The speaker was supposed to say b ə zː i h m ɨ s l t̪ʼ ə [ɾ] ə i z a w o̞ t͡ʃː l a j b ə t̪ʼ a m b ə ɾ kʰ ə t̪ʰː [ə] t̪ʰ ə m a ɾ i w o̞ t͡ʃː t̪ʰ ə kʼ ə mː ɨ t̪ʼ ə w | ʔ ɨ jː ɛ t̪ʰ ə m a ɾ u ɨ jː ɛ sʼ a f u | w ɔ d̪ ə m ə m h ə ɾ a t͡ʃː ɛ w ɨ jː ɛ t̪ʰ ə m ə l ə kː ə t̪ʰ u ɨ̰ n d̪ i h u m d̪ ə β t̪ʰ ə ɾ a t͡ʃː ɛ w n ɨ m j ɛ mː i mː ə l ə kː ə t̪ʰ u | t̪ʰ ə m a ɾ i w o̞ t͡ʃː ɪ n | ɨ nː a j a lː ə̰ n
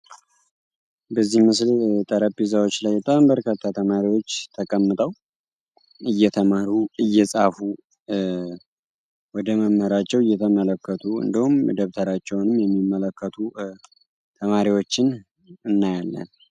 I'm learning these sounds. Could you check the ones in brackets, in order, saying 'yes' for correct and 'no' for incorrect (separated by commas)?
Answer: yes, no